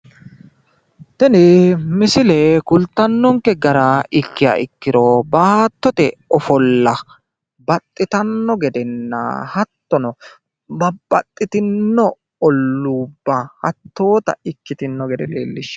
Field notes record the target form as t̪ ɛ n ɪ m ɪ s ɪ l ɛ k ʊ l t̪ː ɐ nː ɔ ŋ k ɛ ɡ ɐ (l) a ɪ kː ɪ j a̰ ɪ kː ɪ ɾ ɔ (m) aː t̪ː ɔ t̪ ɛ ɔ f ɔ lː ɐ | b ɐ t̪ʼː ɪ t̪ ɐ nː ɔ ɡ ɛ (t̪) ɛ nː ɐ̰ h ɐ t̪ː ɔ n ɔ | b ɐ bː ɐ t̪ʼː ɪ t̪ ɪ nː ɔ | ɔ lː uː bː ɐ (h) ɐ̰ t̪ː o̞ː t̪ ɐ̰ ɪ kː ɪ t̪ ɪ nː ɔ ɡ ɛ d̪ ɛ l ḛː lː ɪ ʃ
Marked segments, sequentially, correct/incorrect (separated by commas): incorrect, incorrect, incorrect, correct